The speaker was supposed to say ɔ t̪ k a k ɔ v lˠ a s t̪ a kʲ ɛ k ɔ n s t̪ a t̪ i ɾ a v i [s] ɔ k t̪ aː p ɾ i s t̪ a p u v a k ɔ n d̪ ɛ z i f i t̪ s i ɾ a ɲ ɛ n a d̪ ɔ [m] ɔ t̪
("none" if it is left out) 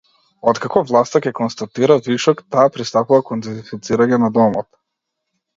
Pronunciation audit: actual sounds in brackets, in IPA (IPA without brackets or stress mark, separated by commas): ʃ, m